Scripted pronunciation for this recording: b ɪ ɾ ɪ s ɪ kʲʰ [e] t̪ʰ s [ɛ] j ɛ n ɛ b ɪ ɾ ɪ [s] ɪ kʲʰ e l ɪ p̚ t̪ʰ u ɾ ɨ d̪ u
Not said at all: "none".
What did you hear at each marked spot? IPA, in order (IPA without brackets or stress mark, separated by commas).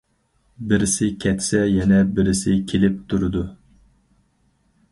ɛ, ɛ, s